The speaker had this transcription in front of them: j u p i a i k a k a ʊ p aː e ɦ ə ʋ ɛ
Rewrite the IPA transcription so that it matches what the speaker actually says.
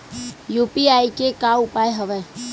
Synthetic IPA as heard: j u p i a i k e k a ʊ p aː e ɦ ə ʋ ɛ